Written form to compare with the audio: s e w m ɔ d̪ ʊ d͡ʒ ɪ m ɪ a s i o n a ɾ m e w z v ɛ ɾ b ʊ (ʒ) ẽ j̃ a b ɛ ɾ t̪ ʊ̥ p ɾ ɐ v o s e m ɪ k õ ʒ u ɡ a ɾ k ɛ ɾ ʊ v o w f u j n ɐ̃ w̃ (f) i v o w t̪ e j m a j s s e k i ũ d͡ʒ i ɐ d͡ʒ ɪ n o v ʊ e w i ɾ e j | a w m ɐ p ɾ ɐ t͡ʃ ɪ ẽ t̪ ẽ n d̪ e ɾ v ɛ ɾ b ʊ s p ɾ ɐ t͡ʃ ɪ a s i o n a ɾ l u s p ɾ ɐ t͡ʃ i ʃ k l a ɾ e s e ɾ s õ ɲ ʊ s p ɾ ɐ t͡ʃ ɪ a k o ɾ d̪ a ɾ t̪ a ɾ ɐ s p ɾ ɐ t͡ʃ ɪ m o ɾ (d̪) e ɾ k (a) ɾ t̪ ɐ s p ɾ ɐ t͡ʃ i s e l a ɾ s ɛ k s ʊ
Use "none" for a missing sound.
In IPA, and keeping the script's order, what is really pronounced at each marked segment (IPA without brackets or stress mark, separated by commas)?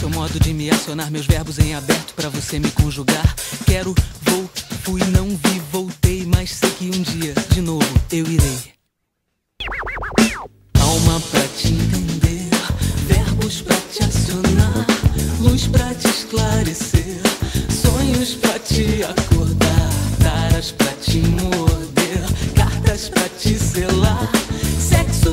z, v, d̪, a